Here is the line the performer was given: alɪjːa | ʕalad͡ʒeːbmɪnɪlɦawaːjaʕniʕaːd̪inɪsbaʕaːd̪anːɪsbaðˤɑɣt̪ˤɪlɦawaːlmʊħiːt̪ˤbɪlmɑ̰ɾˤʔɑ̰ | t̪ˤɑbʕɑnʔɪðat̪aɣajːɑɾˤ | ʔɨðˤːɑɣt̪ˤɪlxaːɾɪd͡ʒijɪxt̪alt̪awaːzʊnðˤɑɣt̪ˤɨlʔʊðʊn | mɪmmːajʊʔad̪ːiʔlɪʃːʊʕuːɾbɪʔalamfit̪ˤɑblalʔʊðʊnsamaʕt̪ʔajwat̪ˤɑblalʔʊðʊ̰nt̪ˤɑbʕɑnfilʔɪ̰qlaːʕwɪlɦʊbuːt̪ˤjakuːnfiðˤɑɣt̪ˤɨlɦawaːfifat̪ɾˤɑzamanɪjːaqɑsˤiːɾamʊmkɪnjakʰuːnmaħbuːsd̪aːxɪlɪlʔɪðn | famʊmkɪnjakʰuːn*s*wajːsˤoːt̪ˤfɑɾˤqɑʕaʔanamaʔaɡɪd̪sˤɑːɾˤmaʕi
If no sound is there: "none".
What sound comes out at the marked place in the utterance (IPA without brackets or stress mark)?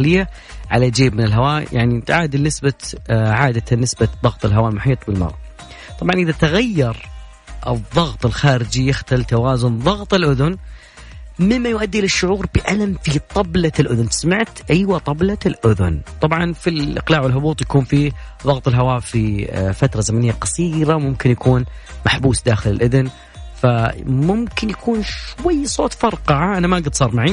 ʃ